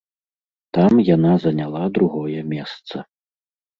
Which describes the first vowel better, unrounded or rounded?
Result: unrounded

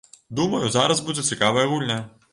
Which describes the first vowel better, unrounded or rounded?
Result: rounded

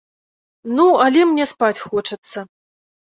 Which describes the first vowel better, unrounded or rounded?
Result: rounded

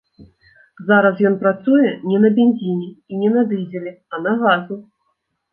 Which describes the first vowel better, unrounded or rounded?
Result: unrounded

